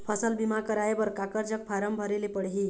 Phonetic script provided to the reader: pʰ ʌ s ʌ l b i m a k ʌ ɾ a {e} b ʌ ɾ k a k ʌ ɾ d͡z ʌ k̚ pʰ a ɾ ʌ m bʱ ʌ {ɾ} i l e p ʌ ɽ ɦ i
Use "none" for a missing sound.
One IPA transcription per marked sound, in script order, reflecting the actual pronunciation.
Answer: e, ɾ

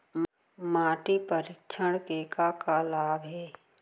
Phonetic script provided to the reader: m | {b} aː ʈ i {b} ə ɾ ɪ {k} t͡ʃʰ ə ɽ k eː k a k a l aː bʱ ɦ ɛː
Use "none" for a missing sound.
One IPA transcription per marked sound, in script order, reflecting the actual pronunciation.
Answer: m, p, k

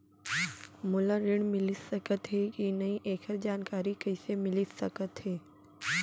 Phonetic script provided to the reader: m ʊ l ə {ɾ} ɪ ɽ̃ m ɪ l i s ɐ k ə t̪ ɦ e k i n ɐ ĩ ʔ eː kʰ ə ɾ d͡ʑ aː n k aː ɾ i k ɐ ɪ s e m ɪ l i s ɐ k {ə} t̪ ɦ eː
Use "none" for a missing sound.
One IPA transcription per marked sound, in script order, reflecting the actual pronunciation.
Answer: ɾ, ə

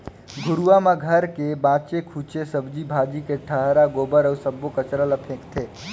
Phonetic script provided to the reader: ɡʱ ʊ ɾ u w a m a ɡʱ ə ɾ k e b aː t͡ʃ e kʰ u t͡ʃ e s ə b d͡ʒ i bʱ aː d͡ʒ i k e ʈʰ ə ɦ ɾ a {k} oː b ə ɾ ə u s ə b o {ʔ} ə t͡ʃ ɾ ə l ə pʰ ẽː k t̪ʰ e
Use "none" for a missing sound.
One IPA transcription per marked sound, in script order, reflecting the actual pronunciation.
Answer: ɡ, k

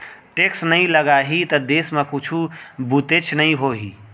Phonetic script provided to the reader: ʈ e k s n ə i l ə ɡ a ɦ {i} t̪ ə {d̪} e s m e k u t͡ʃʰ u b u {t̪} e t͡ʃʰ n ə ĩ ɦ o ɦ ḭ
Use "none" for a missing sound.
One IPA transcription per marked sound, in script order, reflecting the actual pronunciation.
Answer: i, d̪, t̪

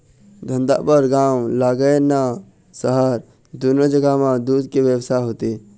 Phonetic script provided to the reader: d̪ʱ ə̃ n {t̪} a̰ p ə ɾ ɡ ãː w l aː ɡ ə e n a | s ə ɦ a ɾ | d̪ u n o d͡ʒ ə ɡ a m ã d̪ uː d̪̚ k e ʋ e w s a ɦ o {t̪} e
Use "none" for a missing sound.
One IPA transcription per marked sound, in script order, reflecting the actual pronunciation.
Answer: d̪, t̪

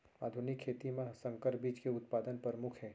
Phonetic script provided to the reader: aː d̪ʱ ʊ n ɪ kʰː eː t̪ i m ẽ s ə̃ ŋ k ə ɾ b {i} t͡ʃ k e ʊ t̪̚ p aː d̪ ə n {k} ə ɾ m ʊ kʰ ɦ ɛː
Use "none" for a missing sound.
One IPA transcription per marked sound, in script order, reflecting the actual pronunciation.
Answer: iː, p

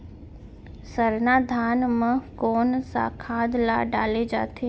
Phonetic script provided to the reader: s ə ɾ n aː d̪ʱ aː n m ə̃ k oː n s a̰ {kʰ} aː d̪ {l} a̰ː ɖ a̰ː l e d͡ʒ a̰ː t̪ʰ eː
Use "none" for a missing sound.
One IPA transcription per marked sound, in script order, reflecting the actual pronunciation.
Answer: kʰ, l

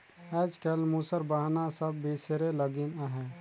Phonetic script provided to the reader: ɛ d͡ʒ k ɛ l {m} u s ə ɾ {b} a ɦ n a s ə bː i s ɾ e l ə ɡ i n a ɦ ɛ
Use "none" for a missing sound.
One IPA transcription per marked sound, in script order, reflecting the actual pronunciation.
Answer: m, b

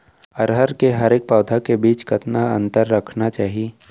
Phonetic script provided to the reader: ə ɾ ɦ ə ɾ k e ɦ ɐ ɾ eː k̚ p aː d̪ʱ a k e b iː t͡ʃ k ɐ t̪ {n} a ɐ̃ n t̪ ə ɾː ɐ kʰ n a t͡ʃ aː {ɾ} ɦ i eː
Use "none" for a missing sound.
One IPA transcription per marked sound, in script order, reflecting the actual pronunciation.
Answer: n, none

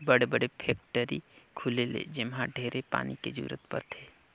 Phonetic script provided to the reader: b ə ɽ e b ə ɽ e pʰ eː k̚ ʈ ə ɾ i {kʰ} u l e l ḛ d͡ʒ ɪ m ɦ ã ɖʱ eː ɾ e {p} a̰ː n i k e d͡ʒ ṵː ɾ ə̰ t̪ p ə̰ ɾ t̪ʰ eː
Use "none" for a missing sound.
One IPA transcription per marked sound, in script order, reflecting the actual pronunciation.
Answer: kʰ, p

